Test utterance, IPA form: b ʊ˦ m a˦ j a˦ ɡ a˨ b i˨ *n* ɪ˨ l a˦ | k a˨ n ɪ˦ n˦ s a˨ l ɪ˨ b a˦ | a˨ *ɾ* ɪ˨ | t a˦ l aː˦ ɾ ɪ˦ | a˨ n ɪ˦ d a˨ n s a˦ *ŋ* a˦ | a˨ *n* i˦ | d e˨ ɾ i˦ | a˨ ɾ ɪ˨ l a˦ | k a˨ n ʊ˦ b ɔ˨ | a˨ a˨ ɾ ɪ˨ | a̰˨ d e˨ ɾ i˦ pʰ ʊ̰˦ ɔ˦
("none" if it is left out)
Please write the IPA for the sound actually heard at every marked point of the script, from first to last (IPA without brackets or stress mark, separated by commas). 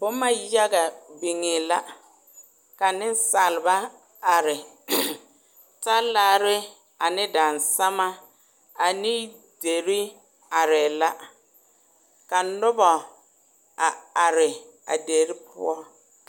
ŋ, ɾ, m, n